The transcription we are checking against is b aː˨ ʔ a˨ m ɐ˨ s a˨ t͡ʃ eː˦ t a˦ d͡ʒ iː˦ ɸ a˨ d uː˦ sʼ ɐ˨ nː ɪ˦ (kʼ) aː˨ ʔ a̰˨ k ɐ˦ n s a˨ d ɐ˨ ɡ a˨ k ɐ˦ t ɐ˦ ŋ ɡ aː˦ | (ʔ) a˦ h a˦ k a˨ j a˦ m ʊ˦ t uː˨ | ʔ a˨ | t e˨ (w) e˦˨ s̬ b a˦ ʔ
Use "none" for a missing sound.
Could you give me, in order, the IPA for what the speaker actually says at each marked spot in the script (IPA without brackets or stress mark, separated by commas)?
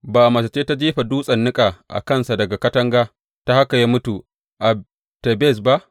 kʼ, t, b